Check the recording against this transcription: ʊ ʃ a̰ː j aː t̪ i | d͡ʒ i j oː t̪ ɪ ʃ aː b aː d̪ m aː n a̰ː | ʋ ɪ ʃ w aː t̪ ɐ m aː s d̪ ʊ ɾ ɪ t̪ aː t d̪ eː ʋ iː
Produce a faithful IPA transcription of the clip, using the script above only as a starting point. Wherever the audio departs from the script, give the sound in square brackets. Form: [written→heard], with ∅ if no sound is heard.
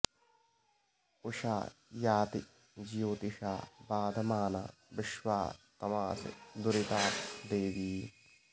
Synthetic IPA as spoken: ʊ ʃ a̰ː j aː t̪ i | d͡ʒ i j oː t̪ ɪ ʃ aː b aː d̪ m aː n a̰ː | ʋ ɪ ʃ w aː t̪ ɐ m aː s d̪ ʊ ɾ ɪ t̪ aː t d̪ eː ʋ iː